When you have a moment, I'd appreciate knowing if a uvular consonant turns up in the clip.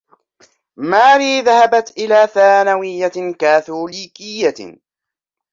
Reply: no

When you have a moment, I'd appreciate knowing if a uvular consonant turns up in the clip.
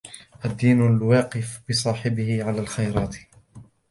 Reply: yes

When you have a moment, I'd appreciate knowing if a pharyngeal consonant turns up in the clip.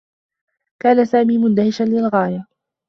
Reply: no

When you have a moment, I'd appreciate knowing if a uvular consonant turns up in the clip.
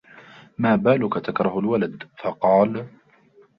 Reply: yes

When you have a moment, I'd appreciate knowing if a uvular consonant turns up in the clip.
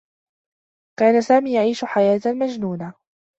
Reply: no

